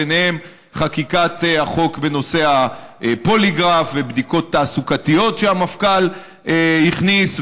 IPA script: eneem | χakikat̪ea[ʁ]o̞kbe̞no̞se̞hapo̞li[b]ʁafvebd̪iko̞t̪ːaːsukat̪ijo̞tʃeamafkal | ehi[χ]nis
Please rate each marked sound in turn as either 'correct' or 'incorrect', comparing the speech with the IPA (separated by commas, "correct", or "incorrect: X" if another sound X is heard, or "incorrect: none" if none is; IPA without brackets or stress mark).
incorrect: χ, incorrect: ɡ, correct